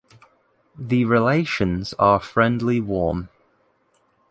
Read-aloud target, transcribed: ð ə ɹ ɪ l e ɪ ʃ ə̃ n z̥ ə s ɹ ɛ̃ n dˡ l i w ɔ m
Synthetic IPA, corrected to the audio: ð ə ɹ ɪ l e ɪ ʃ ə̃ n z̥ ə f ɹ ɛ̃ n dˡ l i w ɔː m